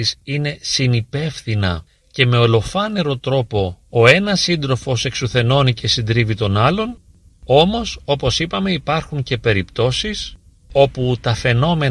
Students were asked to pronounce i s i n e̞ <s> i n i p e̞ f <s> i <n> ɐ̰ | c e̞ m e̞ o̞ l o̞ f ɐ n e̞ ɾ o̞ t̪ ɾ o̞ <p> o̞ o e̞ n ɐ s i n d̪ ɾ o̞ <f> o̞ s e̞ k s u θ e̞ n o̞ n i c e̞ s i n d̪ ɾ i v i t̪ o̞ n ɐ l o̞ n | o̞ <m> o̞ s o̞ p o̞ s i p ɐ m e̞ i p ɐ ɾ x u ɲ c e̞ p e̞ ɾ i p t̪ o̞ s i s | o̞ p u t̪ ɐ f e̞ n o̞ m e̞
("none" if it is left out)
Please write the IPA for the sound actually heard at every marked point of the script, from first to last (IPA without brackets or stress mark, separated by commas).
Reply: s, θ, n, p, f, m